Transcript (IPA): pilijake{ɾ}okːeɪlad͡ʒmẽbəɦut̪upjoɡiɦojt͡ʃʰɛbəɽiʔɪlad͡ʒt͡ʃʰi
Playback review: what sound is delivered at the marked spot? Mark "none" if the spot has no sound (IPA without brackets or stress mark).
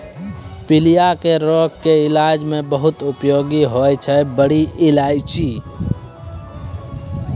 ɾ